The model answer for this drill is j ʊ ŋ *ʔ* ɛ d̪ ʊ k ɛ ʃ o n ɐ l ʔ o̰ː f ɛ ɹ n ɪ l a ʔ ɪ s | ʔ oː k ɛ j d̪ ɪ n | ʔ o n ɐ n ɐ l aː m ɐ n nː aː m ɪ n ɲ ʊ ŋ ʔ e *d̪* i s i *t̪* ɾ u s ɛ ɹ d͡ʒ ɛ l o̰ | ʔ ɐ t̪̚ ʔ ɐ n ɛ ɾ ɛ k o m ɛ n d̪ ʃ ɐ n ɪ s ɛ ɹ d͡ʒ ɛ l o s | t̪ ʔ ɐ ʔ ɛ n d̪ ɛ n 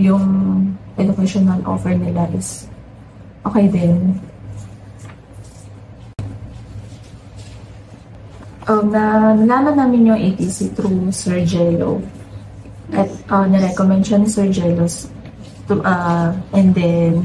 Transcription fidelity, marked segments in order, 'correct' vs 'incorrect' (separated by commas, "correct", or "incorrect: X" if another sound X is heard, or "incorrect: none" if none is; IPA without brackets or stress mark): correct, incorrect: t̪, correct